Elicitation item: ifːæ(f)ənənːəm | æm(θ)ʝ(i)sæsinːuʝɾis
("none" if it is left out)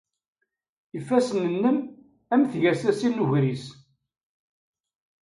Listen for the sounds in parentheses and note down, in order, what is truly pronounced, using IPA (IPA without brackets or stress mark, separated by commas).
s, θ, æ